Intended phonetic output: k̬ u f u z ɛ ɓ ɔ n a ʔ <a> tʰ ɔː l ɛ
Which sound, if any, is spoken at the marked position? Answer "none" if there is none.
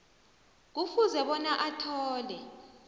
a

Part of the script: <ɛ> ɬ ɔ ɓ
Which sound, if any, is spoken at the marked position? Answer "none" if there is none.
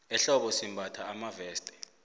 ɛ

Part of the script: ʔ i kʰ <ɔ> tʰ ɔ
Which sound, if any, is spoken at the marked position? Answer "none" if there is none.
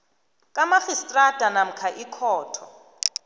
ɔː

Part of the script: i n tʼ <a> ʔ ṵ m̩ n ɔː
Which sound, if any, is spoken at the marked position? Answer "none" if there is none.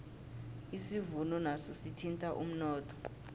a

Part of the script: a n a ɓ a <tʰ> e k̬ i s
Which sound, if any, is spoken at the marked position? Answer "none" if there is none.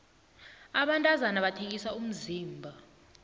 tʰ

